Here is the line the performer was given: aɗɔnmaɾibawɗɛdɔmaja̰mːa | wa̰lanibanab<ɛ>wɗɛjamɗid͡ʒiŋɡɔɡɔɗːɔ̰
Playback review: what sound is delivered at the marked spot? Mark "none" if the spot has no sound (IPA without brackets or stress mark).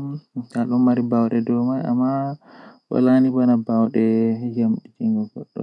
a